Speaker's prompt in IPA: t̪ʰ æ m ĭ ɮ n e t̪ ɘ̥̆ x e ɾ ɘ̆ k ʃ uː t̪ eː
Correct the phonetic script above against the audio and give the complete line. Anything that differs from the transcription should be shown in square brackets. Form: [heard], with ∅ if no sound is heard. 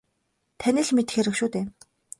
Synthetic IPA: t̪ʰ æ [n] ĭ ɮ [m] e t̪ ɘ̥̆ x e ɾ ɘ̆ k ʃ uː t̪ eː